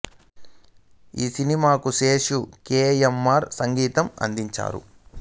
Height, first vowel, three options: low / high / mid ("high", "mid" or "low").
high